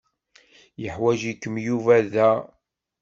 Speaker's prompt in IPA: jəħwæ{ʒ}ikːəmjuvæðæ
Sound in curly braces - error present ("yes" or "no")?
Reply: no